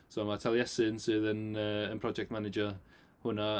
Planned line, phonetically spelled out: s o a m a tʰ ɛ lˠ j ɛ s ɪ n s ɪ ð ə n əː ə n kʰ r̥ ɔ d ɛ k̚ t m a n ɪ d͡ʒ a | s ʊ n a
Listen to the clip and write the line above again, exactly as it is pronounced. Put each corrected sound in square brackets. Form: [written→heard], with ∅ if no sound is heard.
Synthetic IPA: s o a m a tʰ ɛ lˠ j ɛ s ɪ n s ɪ ð ə n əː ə n [kʰ→pʰ] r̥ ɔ [d→d͡ʒ] ɛ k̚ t m a n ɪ d͡ʒ [a→ə] | [s→h] ʊ n a